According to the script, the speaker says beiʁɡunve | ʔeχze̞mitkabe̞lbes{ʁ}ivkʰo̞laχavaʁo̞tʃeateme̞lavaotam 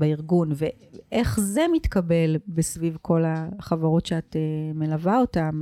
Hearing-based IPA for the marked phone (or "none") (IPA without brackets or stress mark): v